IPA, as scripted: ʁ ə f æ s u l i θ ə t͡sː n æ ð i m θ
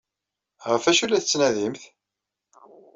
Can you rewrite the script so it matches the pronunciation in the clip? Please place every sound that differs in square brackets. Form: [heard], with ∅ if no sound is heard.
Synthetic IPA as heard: ʁ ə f æ [ʃ] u l [æ] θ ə t͡sː n æ ð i m θ